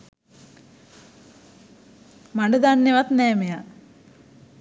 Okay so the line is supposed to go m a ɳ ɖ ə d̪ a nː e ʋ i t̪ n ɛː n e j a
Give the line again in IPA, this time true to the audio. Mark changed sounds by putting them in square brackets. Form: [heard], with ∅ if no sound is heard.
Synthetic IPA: m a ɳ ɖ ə d̪ a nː e ʋ [a] t̪ n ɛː [m] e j a